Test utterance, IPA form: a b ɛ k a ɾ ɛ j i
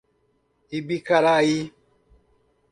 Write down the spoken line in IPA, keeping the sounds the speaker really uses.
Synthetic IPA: i b i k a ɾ a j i